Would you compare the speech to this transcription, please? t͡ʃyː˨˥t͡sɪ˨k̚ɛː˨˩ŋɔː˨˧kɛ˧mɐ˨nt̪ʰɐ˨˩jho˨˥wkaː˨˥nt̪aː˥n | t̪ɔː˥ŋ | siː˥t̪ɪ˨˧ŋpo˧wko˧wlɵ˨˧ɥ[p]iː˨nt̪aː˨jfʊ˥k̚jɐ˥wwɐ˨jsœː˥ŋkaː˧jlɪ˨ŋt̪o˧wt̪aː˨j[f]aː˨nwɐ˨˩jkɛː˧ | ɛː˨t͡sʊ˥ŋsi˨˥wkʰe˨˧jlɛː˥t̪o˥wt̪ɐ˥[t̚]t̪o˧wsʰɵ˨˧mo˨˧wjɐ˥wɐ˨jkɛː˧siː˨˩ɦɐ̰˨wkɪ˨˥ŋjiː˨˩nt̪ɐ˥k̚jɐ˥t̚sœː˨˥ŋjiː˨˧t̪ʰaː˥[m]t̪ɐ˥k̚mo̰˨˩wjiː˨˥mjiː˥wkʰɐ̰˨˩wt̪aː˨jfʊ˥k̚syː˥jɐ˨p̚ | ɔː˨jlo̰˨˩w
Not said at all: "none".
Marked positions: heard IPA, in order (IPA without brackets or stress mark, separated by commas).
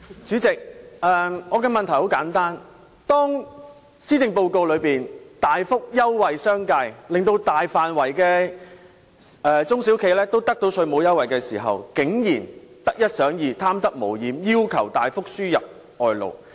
p, f, k̚, m